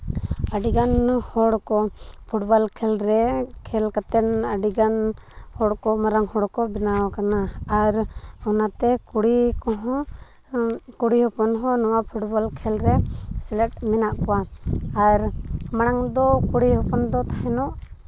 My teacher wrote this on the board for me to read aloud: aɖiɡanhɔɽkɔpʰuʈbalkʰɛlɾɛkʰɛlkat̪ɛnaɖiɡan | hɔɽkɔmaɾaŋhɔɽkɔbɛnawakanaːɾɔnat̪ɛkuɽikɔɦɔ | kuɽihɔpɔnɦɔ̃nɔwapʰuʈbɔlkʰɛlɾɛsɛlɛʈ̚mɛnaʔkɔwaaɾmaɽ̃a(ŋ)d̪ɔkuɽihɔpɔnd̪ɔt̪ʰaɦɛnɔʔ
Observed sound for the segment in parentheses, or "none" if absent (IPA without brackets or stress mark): ŋ